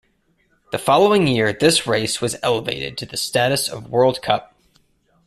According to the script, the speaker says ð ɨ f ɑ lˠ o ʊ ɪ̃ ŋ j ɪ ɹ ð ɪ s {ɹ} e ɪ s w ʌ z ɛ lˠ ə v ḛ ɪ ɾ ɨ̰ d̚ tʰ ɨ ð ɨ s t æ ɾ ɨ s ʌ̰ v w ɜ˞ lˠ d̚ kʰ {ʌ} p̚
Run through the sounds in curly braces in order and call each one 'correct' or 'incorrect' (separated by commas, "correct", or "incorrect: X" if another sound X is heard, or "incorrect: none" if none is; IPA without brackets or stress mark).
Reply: correct, correct